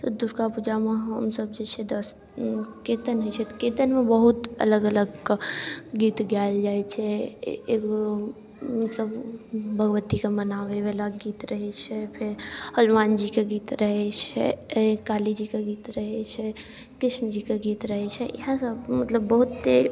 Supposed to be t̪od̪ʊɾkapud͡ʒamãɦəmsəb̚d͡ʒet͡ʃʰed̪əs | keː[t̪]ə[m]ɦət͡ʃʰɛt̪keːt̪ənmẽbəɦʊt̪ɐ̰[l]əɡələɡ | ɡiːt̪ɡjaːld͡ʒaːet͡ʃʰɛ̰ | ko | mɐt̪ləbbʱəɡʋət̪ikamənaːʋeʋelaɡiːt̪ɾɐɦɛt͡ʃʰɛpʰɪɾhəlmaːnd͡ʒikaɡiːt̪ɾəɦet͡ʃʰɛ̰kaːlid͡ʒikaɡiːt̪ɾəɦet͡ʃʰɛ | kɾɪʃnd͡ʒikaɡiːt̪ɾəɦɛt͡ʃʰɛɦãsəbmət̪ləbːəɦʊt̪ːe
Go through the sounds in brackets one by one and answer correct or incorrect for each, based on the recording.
correct, incorrect: n, correct

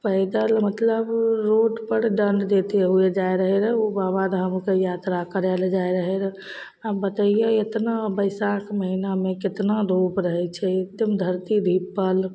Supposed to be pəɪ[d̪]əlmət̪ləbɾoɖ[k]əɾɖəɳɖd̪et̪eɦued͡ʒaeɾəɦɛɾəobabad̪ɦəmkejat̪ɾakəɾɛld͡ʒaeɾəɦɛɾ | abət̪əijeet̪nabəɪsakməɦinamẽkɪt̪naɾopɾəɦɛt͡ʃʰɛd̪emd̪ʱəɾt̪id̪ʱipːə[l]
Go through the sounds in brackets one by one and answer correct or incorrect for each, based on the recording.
correct, incorrect: p, correct

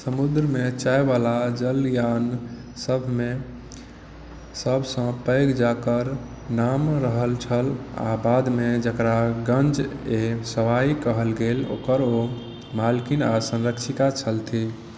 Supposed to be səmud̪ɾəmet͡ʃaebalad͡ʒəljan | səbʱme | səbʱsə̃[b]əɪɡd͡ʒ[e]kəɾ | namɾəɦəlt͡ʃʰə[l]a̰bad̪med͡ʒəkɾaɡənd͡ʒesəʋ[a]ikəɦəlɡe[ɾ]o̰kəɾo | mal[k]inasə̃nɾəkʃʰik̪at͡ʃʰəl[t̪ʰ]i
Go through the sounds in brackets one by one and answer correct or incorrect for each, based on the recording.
incorrect: p, incorrect: a, correct, correct, incorrect: l, correct, correct

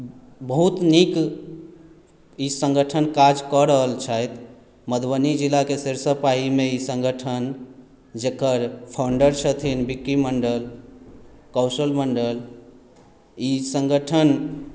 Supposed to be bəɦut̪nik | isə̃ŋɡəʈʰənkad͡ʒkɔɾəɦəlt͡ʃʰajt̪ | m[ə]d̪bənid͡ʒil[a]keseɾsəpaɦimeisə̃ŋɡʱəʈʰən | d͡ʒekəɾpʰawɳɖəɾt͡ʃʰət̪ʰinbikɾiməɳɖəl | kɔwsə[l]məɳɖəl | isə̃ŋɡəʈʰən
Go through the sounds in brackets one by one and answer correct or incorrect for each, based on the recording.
correct, correct, correct

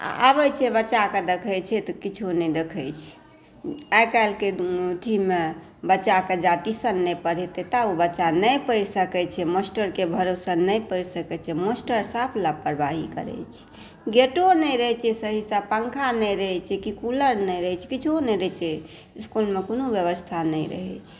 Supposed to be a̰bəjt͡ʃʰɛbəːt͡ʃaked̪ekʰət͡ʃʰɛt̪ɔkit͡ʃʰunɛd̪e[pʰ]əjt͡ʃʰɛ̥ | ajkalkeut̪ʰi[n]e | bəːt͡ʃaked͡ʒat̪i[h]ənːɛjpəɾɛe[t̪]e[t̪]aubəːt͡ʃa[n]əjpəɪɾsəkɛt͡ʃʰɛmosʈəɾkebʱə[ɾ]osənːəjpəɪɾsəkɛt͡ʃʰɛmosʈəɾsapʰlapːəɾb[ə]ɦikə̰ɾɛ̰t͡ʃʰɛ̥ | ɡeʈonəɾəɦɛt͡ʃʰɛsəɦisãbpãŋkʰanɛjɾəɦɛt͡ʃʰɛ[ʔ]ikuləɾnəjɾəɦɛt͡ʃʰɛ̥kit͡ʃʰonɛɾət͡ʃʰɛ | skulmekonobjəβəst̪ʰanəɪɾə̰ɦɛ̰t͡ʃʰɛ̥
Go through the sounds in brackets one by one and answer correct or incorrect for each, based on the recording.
incorrect: kʰ, incorrect: m, incorrect: s, correct, correct, correct, correct, incorrect: a, incorrect: k

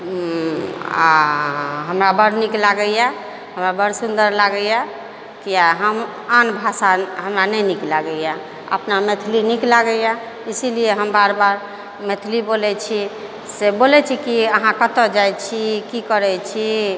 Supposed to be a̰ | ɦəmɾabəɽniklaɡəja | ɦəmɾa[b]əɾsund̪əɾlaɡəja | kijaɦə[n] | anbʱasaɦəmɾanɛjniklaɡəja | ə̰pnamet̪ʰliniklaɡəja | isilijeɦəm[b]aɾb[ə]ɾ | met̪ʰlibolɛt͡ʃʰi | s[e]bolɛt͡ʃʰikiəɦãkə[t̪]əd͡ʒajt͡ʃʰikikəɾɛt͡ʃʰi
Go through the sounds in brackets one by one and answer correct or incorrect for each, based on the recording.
correct, incorrect: m, correct, incorrect: a, correct, correct

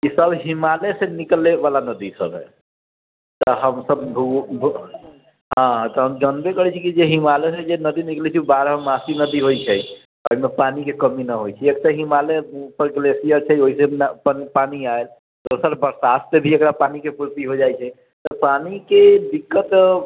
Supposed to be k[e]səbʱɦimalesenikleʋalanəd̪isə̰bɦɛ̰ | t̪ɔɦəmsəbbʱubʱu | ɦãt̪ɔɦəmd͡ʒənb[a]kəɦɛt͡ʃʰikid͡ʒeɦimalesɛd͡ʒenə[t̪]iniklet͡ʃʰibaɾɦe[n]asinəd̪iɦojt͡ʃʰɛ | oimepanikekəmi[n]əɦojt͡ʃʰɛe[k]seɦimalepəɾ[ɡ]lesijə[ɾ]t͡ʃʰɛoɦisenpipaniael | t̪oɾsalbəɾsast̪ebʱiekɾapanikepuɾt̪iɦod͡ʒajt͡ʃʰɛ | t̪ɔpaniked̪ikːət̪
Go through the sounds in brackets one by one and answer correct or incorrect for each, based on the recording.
incorrect: i, incorrect: e, incorrect: d̪, incorrect: m, correct, correct, correct, correct

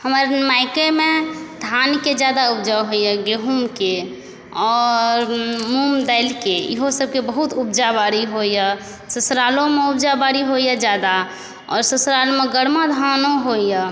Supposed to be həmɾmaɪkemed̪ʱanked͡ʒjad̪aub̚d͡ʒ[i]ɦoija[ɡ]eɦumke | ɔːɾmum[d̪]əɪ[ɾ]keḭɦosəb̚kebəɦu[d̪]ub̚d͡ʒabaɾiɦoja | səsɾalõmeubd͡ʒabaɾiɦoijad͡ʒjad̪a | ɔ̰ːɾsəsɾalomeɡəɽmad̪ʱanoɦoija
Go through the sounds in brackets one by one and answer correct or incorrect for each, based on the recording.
incorrect: a, correct, correct, incorrect: l, incorrect: t̪

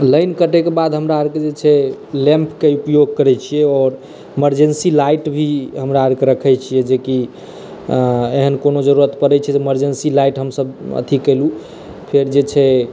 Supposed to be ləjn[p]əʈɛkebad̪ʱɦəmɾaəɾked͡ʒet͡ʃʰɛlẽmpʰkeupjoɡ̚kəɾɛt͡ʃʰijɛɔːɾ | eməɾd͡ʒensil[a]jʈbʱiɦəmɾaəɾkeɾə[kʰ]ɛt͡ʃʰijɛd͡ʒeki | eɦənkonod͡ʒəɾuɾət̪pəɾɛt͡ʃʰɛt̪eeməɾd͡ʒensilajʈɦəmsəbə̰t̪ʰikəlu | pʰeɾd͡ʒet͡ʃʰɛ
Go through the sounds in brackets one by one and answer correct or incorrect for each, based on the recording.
incorrect: k, correct, correct

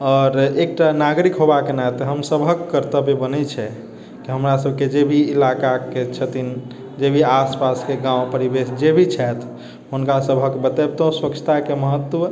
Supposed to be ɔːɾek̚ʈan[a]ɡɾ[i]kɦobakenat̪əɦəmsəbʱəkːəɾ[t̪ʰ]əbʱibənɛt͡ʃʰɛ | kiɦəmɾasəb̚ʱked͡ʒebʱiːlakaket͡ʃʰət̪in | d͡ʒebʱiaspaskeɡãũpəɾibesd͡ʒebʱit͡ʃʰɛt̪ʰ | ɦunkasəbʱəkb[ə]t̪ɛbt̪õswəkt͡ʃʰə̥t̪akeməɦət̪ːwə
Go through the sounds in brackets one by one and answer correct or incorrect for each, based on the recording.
correct, correct, incorrect: t̪, correct

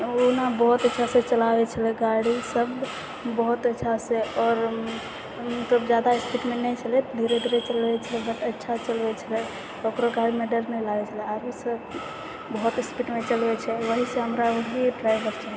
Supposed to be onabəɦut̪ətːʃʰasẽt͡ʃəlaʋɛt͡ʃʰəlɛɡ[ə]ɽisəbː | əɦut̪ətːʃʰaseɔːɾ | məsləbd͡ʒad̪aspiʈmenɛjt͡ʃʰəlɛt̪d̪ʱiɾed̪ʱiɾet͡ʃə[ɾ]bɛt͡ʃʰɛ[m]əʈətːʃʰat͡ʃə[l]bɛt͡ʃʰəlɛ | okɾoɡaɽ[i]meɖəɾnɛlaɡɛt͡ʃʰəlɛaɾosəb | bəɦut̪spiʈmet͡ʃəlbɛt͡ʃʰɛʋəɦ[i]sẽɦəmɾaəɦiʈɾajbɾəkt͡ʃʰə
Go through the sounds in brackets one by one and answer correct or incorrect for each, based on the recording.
incorrect: a, incorrect: l, incorrect: b, correct, correct, correct

